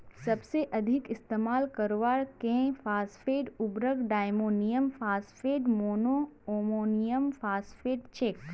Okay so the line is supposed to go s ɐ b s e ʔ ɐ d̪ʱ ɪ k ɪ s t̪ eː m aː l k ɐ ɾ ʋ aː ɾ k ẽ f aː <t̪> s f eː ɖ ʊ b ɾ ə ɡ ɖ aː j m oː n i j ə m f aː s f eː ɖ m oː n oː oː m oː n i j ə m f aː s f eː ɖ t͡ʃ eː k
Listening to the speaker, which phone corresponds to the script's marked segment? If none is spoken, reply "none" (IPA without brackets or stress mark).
none